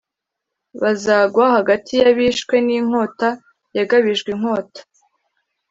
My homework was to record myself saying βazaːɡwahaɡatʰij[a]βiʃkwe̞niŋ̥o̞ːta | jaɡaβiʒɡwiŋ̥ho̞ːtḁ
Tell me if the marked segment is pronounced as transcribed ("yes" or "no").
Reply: yes